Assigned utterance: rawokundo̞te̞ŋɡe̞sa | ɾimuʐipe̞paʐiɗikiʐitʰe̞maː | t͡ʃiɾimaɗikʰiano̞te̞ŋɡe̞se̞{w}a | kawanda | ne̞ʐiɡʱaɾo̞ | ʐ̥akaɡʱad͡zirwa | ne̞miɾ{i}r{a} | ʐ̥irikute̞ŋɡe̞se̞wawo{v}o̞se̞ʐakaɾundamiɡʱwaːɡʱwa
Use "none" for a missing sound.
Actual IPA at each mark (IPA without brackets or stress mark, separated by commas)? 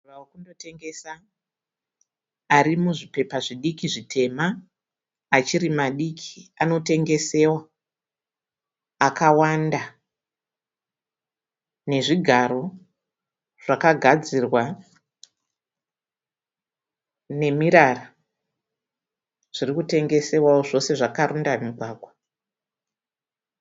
w, a, a, ʐ